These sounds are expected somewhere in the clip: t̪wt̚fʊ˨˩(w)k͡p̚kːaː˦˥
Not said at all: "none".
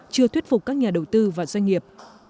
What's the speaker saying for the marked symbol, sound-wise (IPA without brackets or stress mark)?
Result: none